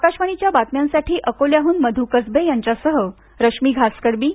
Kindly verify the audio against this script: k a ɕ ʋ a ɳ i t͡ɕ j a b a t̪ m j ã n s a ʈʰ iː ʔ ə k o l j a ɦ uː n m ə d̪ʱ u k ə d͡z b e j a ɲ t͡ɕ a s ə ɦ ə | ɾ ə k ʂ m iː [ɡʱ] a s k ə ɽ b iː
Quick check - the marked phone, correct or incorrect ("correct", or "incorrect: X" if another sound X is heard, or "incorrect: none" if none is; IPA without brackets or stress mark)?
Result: correct